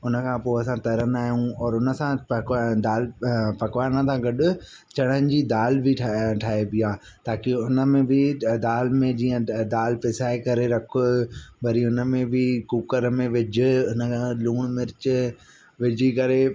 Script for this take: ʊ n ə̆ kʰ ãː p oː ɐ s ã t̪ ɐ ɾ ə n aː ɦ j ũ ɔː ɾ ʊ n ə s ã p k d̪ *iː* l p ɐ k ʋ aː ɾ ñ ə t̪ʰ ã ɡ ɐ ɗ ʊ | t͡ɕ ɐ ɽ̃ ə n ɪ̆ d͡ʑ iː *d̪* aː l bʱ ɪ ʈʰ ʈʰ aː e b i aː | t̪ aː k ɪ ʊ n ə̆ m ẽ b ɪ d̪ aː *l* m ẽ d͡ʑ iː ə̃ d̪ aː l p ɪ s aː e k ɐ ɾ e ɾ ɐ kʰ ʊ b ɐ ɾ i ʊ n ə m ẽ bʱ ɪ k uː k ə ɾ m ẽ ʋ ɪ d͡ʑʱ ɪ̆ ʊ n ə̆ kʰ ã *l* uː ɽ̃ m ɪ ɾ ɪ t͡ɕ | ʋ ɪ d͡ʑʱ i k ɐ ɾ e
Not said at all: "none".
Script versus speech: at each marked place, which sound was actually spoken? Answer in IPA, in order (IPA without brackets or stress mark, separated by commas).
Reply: aː, d̪, l, l